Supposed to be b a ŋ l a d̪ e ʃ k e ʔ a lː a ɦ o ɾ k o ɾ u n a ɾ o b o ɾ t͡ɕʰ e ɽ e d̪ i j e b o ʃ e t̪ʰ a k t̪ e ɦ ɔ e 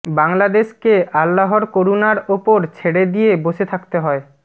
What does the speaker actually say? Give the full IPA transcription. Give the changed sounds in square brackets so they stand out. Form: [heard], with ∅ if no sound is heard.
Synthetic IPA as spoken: b a ŋ l a d̪ e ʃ k e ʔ a lː a ɦ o ɾ k o ɾ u n a ɾ o [p] o ɾ t͡ɕʰ e ɽ e d̪ i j e b o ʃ e t̪ʰ a k t̪ e ɦ ɔ e